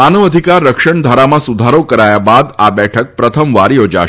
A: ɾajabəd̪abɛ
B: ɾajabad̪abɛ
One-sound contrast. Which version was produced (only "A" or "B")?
B